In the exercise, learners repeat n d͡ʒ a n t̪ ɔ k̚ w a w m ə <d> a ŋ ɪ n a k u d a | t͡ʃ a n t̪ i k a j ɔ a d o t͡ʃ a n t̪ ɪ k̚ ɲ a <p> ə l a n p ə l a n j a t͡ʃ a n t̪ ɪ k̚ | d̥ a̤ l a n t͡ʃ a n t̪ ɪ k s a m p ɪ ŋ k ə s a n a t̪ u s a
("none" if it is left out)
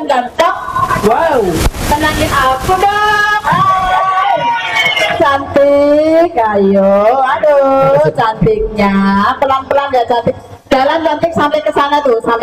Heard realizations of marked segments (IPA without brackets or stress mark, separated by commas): n, p